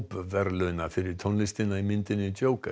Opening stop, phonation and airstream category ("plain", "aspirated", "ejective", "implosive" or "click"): plain